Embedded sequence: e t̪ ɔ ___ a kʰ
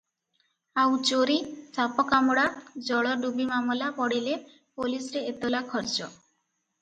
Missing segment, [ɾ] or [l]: l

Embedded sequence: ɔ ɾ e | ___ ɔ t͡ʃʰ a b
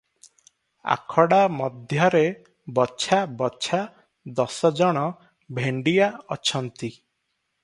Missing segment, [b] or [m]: b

